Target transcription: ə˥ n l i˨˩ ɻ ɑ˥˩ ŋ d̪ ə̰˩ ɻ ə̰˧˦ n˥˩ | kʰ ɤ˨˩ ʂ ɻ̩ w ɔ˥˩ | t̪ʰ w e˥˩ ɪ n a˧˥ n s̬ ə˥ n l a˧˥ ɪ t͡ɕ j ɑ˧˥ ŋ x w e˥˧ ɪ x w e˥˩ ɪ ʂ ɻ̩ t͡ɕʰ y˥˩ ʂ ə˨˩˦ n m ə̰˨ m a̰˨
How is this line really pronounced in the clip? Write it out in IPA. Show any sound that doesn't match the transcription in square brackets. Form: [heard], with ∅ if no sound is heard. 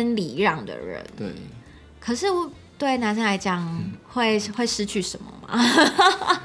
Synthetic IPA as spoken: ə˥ n l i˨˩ ɻ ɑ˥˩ ŋ d̪ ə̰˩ ɻ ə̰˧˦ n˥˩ | kʰ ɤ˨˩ ʂ ɻ̩ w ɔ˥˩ | [t̪] w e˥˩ ɪ n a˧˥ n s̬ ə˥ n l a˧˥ ɪ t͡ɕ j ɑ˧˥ ŋ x w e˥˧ ɪ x w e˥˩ ɪ ʂ ɻ̩ t͡ɕʰ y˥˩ ʂ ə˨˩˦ n m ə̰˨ m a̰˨